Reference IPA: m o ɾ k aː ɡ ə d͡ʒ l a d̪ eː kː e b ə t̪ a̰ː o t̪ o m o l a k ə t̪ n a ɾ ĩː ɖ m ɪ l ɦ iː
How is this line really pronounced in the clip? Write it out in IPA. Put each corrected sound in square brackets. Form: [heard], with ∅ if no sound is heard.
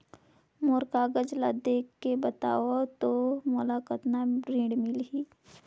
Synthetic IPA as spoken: m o ɾ k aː ɡ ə d͡ʒ l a d̪ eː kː e b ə t̪ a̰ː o t̪ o m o l a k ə t̪ n a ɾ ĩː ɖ m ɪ l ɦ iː